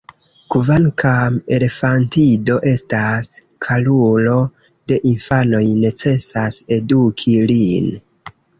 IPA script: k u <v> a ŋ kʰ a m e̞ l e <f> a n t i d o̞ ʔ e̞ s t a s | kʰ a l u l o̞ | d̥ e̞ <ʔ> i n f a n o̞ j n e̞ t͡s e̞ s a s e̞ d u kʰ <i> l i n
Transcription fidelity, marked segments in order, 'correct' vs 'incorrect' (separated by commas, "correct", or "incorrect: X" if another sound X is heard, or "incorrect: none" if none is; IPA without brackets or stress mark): correct, correct, correct, correct